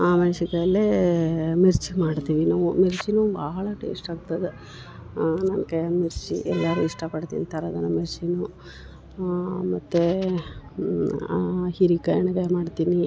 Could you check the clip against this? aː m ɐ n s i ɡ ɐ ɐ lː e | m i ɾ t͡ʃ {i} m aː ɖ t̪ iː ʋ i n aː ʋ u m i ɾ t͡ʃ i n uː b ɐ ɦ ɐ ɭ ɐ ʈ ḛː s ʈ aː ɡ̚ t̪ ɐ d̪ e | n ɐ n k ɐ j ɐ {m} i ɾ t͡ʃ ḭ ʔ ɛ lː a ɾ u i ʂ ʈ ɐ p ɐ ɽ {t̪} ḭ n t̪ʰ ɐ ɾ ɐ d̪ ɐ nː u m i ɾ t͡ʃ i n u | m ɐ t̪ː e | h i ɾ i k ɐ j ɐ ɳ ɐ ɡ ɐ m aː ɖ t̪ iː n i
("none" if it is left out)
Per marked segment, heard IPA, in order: i, m, t̪

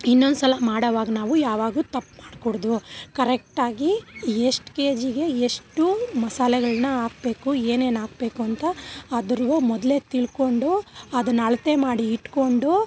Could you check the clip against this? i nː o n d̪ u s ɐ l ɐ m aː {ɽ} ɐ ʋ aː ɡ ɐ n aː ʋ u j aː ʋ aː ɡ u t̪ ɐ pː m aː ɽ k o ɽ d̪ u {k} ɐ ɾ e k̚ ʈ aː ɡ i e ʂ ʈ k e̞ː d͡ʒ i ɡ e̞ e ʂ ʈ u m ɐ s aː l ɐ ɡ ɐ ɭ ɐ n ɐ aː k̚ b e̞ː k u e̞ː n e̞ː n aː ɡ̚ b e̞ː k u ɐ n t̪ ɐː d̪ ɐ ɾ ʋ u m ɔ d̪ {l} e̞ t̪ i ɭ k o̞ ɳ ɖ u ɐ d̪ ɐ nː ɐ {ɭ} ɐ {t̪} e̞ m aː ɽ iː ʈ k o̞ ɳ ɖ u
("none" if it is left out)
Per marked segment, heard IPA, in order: ɽ, k, l, ɭ, t̪

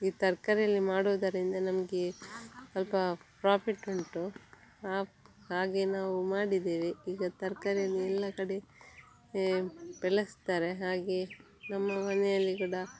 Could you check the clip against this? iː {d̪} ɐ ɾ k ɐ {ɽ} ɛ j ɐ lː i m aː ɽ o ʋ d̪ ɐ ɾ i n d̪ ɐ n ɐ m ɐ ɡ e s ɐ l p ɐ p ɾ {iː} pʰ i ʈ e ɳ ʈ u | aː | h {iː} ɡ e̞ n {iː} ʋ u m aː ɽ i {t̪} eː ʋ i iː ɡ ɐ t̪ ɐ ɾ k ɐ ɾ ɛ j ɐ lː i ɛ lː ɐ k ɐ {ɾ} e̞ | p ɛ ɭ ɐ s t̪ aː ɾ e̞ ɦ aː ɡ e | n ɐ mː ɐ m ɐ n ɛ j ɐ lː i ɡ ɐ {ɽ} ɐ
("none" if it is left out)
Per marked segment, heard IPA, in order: t̪, ɾ, aː, aː, aː, d̪, ɽ, ɽ

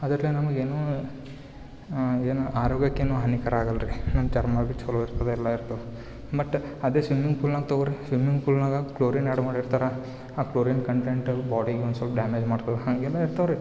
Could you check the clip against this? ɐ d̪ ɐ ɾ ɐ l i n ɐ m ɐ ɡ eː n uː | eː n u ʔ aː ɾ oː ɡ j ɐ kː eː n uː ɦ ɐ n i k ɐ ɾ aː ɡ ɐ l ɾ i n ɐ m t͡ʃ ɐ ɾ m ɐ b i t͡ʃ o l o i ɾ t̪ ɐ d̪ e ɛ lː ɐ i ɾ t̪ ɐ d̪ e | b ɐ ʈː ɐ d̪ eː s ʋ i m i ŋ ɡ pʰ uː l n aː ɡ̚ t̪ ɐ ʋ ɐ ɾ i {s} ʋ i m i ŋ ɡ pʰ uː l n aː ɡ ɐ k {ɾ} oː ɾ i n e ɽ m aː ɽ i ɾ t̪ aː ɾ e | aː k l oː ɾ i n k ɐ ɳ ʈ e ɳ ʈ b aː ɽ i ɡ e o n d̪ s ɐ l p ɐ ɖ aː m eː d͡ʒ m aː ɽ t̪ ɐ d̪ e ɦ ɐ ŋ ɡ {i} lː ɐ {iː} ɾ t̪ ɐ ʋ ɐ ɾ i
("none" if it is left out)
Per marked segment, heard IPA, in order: s, l, ɛ, i

